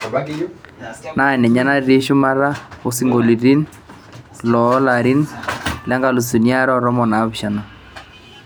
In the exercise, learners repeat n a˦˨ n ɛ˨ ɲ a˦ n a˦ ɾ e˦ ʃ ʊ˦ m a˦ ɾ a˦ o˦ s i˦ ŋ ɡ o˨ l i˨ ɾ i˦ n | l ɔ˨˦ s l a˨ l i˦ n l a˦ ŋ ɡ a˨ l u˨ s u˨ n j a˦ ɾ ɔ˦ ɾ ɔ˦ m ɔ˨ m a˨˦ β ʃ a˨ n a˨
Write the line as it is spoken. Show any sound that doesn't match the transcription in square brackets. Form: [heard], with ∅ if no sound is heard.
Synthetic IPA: n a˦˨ n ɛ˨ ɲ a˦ n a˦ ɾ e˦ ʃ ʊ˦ m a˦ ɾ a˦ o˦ s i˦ ŋ ɡ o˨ l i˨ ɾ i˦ n | l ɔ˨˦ [∅] l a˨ [ɾ] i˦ n l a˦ ŋ ɡ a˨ l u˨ s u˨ n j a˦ ɾ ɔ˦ ɾ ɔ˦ m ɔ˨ [n] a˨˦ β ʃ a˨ n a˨